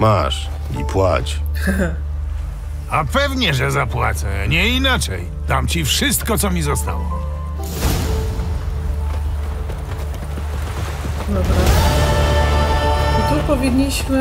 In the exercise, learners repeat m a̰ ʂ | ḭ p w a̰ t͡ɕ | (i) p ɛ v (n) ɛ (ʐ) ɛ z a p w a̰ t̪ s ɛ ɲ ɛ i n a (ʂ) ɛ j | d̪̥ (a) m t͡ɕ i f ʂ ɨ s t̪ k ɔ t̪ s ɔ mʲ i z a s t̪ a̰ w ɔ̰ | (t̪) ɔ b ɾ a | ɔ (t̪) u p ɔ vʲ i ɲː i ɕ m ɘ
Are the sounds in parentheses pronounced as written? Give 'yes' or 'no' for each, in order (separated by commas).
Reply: no, no, yes, no, yes, no, yes